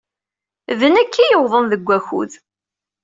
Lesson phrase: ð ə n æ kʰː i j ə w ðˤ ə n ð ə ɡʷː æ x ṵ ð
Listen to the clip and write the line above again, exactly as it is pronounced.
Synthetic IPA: ð ə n æ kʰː i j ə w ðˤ ə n ð ə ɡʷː æ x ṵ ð